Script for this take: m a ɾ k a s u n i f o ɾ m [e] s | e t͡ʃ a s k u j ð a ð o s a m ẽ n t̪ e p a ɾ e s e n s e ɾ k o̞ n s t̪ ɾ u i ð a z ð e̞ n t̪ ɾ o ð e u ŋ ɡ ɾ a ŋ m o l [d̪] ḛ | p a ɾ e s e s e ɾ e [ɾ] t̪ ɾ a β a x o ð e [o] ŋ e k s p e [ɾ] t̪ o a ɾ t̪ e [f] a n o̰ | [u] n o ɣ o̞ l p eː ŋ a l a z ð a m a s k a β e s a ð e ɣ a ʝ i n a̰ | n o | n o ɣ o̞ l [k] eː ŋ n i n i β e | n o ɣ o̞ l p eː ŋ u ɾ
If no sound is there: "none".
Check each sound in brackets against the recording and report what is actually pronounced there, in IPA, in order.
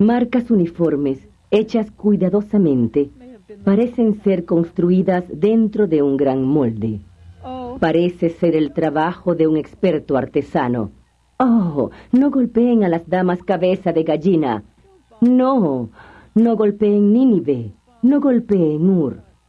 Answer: e, d̪, l, u, ɾ, s, o, p

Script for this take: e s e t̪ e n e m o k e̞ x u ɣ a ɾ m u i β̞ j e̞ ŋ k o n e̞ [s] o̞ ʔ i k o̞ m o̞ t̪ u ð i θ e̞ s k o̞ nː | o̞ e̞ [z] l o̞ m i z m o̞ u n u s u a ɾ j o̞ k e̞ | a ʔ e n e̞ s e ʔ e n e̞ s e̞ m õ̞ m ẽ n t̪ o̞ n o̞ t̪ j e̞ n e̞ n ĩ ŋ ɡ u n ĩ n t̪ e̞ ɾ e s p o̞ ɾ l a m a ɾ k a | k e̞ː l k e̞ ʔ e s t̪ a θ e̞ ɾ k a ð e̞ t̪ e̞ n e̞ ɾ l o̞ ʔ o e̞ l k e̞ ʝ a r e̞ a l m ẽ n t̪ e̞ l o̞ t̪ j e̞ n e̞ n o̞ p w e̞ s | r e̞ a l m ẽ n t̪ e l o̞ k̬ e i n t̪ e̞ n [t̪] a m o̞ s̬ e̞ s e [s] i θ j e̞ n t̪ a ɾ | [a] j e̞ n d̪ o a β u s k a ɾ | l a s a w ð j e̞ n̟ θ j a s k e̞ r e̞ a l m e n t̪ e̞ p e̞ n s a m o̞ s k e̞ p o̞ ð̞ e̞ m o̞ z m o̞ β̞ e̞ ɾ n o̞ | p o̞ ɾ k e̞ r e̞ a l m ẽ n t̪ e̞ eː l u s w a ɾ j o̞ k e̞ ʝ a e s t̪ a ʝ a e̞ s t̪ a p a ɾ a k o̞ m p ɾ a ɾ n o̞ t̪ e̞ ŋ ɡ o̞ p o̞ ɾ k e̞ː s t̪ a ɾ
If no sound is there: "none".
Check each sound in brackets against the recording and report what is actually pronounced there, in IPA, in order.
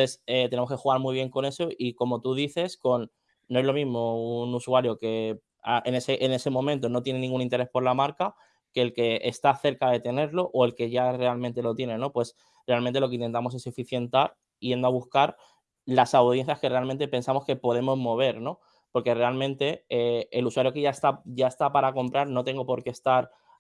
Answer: s, z, t̪, f, i

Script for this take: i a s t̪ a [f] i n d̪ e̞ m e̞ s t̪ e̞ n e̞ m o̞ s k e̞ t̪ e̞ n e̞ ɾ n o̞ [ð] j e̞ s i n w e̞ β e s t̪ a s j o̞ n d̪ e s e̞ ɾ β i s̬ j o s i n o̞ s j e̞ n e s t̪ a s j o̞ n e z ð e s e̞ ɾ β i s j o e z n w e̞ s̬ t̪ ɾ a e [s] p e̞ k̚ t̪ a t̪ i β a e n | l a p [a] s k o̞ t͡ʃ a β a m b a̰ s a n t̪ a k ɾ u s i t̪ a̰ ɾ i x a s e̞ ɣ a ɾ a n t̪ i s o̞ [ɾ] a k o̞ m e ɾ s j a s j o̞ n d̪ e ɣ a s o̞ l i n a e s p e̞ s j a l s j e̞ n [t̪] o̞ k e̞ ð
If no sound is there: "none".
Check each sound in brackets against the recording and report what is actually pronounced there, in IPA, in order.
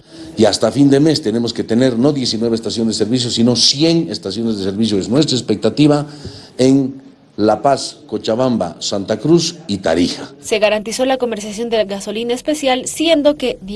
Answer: f, ð, s, a, l, d̪

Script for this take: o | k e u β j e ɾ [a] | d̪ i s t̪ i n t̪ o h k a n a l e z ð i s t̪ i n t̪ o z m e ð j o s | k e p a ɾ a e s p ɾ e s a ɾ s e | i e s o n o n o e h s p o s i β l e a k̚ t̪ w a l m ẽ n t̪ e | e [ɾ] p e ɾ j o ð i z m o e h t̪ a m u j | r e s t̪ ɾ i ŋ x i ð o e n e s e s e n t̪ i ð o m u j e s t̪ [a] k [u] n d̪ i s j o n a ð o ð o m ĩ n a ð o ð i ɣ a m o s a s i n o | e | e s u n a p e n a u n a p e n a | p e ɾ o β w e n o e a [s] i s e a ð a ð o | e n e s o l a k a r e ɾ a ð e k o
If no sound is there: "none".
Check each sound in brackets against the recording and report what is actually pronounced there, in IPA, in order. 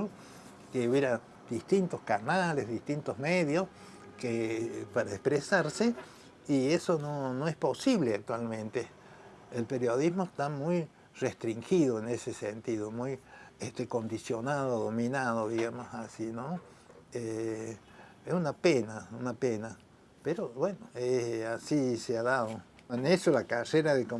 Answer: a, l, e, o, s

